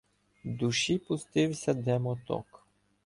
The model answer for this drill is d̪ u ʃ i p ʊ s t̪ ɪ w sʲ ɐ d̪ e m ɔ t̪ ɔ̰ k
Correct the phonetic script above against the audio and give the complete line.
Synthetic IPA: d̪ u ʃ i p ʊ s t̪ ɪ w sʲ ɐ d̪ ɛ m ɔ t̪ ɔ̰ k